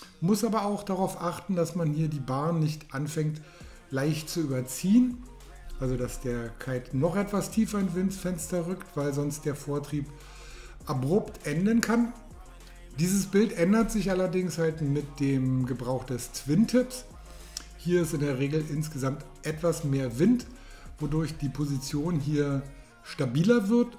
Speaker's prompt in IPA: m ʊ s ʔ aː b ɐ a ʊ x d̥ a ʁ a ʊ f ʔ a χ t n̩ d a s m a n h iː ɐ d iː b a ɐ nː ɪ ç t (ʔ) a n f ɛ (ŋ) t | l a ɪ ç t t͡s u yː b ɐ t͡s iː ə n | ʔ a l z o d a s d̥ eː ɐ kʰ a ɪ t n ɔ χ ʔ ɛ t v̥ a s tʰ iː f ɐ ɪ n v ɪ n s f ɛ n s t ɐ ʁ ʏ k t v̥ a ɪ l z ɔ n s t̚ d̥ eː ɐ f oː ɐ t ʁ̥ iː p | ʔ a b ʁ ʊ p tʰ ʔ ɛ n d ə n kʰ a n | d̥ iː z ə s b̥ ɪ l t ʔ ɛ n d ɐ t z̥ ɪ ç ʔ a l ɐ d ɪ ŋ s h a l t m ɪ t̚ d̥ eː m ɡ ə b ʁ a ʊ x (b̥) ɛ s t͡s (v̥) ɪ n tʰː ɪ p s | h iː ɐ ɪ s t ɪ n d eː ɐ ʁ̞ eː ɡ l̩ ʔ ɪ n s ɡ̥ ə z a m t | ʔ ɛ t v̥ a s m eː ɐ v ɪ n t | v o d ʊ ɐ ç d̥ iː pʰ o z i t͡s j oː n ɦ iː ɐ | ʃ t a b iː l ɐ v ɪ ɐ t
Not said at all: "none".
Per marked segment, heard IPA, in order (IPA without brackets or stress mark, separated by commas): ʔ, ŋ, d̥, v̥